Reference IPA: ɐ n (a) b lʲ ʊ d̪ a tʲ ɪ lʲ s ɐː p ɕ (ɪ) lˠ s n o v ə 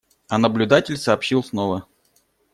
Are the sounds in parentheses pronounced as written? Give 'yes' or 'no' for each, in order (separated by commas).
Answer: no, no